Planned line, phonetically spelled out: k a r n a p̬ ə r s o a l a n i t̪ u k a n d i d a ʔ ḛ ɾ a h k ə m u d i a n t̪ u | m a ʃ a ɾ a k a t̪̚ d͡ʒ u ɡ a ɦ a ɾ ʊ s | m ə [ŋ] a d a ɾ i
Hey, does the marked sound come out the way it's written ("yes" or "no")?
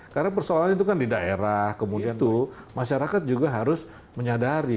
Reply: no